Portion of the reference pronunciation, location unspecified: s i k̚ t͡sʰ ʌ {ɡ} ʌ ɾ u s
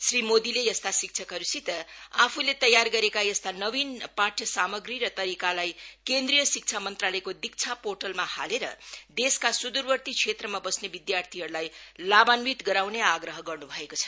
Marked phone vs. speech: incorrect: k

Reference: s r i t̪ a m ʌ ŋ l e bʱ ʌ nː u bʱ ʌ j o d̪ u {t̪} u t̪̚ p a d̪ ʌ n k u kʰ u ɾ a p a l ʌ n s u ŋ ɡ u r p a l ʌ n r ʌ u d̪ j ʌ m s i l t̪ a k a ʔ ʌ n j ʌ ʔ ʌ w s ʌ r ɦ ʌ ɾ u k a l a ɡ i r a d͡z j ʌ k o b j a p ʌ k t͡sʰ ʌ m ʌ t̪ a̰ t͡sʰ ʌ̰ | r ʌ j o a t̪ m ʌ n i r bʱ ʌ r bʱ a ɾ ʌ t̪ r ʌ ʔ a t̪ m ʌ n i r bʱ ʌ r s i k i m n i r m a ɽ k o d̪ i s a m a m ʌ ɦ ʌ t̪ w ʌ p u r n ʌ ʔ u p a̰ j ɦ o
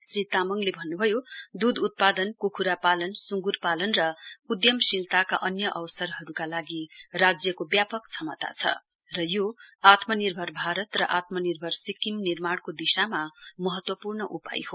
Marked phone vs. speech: incorrect: d̪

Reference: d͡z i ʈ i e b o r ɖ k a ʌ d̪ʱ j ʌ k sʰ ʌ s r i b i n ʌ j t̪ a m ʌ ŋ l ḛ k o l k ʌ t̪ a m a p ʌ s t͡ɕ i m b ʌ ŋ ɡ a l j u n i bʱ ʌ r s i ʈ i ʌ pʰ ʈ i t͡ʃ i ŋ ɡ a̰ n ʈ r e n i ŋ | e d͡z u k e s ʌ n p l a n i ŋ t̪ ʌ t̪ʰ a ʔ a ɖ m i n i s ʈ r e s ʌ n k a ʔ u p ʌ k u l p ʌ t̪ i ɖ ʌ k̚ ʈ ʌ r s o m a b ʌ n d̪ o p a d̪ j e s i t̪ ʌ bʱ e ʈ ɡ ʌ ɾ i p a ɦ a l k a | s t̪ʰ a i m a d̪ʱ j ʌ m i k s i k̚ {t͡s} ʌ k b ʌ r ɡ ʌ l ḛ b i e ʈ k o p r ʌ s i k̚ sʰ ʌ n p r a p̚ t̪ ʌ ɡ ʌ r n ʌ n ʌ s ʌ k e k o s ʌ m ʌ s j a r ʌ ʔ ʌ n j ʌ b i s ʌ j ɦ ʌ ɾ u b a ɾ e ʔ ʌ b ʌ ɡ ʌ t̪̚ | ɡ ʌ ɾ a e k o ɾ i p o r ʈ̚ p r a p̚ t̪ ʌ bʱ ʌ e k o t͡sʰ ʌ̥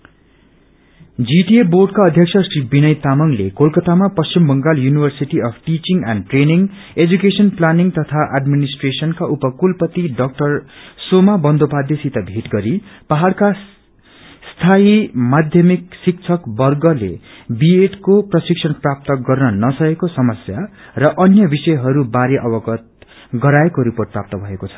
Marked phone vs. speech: incorrect: t͡sʰ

